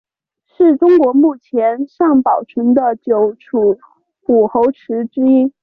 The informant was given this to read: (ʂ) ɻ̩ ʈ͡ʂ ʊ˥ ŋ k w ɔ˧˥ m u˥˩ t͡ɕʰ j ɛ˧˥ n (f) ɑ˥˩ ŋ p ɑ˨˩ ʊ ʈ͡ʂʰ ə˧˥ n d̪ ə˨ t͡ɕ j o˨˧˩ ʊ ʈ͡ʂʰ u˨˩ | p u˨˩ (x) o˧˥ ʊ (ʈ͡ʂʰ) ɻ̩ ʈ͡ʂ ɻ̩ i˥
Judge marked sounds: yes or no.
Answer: yes, no, yes, yes

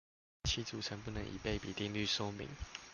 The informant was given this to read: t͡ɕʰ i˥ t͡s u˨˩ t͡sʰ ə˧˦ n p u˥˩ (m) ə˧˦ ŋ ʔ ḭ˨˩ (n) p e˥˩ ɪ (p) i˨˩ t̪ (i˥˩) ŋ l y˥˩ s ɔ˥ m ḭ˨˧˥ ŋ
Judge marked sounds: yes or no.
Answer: no, no, yes, no

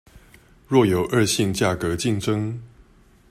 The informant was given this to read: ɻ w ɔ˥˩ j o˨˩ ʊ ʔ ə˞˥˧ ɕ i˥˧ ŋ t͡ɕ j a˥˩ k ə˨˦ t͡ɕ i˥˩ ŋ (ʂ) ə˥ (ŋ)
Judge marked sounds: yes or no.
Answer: no, yes

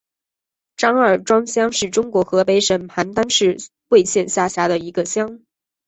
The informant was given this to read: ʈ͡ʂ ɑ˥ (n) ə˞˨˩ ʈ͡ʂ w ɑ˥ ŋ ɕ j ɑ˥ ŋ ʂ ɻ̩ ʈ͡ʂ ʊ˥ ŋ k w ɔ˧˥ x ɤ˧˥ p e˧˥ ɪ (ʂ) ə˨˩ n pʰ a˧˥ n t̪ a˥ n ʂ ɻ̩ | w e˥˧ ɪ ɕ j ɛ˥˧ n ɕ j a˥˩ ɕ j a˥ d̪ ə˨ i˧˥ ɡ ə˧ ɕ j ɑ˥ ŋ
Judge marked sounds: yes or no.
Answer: no, yes

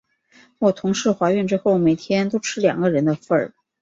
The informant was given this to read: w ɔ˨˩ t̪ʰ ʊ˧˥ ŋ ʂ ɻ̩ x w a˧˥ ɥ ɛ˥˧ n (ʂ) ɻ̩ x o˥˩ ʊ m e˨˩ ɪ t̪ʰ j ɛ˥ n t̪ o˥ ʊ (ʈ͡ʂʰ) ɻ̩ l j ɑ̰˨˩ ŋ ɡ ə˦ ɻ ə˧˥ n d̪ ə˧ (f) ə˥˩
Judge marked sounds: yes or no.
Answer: no, yes, yes

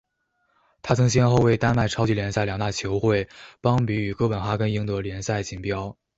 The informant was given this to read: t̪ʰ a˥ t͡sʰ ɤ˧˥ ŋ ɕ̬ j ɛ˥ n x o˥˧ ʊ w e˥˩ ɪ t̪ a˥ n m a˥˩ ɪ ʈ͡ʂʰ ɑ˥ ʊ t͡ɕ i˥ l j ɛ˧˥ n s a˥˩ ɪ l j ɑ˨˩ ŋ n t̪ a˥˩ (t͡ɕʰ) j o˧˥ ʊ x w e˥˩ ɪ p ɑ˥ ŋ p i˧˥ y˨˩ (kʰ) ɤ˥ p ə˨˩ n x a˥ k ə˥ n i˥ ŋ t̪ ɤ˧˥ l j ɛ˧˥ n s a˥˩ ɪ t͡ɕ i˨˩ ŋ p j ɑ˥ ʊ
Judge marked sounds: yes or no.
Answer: yes, no

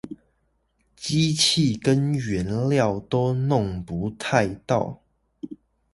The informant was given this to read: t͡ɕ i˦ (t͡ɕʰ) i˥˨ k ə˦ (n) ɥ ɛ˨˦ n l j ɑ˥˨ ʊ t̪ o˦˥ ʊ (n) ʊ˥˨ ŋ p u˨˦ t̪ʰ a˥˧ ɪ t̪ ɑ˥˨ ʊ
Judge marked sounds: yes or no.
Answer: yes, yes, yes

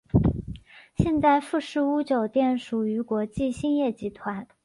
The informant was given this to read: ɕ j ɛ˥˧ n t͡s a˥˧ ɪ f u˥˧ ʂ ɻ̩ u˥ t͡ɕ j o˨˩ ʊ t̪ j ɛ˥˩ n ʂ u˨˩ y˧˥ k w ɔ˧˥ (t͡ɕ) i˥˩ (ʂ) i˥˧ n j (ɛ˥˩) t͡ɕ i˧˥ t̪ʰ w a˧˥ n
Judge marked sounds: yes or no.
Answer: yes, no, yes

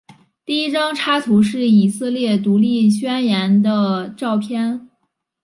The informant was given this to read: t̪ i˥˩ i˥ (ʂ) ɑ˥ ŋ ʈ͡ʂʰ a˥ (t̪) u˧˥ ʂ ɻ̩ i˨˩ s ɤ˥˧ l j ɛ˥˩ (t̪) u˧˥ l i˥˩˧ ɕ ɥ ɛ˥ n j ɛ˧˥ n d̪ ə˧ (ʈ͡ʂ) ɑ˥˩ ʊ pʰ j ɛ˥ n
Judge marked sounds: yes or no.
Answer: no, no, yes, yes

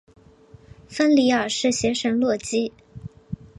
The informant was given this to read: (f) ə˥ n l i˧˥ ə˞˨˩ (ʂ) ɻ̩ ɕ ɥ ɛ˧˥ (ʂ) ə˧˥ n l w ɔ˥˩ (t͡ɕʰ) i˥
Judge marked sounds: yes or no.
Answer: yes, yes, yes, no

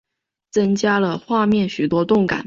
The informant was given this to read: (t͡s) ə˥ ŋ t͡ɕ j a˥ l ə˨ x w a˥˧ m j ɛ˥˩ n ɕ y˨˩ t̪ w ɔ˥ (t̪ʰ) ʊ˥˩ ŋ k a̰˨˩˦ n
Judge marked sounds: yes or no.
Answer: yes, no

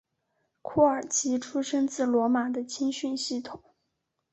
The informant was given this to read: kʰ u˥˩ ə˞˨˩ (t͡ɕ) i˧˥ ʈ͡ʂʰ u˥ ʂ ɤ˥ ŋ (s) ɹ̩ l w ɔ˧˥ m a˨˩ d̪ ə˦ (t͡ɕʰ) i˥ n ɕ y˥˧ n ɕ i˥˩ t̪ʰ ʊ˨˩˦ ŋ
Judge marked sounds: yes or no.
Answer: no, no, yes

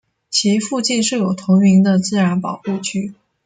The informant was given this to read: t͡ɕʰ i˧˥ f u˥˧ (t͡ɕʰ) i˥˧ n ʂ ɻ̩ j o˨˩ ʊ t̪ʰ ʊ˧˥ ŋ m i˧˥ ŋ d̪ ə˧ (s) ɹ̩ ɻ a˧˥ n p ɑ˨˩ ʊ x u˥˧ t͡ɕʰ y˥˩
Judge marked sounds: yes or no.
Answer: no, no

